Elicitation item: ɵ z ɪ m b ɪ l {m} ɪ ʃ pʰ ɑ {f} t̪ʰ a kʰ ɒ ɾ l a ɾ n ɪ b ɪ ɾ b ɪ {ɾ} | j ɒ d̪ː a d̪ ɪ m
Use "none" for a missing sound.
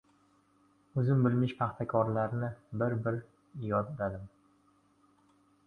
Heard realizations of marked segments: m, χ, ɾ

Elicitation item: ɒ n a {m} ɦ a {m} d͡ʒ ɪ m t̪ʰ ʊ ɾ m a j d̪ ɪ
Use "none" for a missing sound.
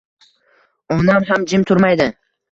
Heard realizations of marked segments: m, m

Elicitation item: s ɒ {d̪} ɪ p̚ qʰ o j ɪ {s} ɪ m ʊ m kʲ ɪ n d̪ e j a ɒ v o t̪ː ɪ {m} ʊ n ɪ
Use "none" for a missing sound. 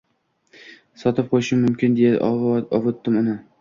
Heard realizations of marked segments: t̪, ʃ, m

